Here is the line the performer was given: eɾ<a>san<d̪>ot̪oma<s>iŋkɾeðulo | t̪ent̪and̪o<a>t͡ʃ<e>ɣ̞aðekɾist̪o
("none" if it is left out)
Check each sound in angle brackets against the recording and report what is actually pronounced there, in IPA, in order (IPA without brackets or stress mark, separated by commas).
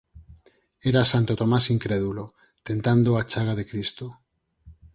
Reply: a, t̪, s, a, a